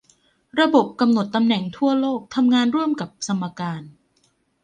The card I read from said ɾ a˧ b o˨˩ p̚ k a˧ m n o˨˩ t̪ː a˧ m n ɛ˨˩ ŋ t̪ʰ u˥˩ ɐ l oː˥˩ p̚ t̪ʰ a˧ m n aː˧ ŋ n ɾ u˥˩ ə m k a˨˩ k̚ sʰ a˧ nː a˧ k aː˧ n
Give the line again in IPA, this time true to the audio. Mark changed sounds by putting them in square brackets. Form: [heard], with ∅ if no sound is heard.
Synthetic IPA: ɾ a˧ b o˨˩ p̚ k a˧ m n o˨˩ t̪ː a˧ m n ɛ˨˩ ŋ t̪ʰ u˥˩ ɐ l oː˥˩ [k̚] t̪ʰ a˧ m [ŋ] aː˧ [∅] n ɾ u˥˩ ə m k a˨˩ [p̚] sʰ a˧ [mː] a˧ k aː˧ n